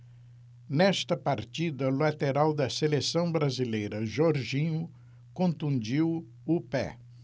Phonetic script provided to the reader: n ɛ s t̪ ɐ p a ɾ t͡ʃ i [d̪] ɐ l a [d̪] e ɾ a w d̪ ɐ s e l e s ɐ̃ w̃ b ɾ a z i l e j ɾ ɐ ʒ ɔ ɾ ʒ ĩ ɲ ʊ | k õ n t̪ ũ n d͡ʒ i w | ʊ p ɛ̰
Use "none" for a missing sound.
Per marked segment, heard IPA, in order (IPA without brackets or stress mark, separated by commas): d̪, t̪